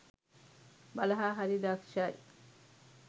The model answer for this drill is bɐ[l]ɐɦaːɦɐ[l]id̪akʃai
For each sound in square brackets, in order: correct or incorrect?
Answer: correct, incorrect: ɾ

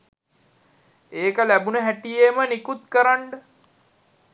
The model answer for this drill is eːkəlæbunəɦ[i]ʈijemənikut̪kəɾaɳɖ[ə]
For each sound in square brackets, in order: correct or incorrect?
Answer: incorrect: æ, correct

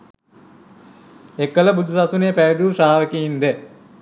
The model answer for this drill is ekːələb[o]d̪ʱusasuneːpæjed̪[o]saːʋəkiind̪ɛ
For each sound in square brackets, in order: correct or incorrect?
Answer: incorrect: u, incorrect: u

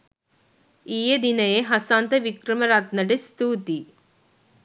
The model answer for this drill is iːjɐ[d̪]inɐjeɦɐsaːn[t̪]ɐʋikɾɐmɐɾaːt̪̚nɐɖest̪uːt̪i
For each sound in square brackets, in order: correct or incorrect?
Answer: correct, correct

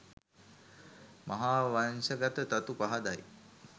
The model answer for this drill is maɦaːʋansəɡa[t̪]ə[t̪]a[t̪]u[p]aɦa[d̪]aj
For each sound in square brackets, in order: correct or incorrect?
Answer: correct, correct, correct, correct, correct

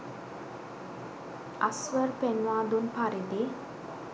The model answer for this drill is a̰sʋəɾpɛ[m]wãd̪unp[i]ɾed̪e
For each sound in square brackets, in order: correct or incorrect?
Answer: incorrect: n, incorrect: a

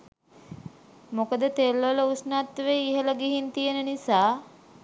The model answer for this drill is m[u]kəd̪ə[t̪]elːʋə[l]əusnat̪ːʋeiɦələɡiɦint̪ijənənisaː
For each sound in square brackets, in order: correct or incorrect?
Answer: incorrect: o, correct, correct

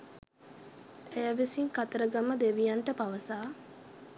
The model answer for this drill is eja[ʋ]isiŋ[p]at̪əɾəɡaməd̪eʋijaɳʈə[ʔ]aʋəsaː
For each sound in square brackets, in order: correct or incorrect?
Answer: correct, incorrect: k, incorrect: p

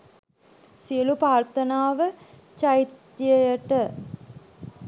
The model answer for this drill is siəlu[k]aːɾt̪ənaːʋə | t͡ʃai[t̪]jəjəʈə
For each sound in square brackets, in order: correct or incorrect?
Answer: incorrect: p, correct

